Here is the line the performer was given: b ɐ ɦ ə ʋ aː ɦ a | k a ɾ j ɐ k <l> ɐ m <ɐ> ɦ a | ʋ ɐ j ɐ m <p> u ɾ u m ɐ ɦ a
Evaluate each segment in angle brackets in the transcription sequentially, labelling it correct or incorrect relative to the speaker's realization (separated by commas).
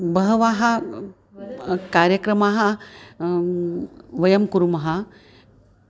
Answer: incorrect, incorrect, incorrect